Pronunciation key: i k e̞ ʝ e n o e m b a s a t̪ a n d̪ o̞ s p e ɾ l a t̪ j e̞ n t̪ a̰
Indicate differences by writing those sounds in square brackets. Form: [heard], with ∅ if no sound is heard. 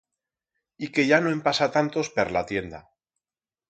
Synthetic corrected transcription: i k e̞ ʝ [a] n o e m [p] a s a t̪ a n [t̪] o̞ s p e ɾ l a t̪ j e̞ n [d̪] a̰